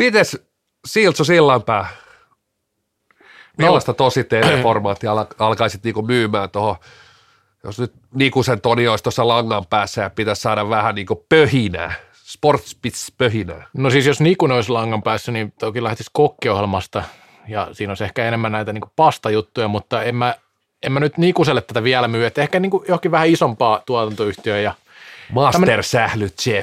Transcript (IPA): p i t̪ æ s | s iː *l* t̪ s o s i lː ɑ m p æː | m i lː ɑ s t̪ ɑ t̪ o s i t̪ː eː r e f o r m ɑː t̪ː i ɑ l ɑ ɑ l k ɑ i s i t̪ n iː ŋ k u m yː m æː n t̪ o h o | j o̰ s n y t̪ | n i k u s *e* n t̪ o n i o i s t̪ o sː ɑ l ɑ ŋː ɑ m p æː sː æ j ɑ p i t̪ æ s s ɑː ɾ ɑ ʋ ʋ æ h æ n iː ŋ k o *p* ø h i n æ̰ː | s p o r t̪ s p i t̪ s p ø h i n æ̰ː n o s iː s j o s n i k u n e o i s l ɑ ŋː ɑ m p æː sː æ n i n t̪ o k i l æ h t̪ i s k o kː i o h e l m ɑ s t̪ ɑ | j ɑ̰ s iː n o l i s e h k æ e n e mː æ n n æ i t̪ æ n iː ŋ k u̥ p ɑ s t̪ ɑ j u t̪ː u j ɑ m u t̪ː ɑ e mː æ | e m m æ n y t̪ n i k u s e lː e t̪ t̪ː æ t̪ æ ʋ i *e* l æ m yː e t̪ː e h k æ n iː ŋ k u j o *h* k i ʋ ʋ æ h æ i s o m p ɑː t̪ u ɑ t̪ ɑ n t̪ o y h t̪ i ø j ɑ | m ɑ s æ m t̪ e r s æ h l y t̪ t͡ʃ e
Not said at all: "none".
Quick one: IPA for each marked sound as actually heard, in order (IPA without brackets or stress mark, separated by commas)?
l, e, p, æ, h